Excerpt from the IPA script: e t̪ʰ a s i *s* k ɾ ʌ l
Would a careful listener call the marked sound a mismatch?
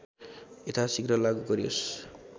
yes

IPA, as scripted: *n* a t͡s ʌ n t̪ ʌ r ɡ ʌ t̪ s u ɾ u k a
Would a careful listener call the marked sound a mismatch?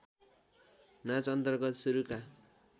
no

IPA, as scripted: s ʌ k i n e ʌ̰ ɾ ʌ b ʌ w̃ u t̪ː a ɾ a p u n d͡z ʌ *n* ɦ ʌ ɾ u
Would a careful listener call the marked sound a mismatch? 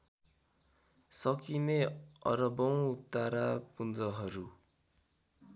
yes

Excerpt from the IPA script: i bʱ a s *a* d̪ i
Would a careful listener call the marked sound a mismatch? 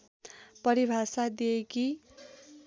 no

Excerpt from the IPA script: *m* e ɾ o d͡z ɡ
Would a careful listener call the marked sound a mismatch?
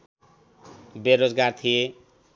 yes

